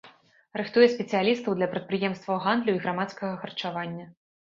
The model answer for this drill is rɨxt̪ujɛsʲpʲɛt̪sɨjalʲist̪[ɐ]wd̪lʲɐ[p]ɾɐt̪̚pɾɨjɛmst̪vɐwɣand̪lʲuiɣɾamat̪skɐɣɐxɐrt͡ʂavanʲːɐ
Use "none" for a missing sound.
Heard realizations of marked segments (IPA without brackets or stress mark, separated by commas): ɐ, p